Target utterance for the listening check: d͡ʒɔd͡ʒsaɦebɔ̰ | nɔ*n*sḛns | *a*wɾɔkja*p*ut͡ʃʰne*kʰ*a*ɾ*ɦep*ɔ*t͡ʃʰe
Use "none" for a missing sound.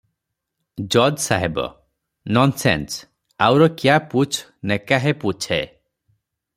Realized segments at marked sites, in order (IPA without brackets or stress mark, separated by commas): n, a, p, k, none, u